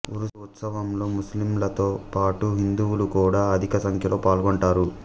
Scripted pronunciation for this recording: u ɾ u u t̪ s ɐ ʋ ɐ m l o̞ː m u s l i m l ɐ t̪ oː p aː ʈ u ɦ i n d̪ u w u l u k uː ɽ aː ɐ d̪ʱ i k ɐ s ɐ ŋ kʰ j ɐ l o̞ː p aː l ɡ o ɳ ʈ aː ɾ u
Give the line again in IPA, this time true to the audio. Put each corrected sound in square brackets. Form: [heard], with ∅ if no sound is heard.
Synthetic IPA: u ɾ u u t̪ s ɐ ʋ ɐ m l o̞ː m u s l i m l ɐ t̪ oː p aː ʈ u ɦ i n d̪ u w u l u k uː ɽ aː ɐ d̪ʱ i k ɐ s ɐ ŋ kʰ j ɐ l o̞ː p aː l ɡ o ɳ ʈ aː ɾ u